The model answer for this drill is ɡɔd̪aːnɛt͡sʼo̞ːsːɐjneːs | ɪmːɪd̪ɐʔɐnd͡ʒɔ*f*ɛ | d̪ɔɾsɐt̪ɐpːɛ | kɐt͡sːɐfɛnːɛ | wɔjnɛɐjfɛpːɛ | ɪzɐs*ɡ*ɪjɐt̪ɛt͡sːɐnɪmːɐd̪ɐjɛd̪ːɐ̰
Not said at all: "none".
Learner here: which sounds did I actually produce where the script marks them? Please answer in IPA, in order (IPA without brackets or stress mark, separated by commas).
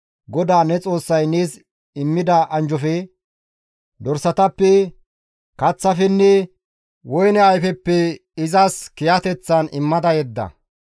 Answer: f, k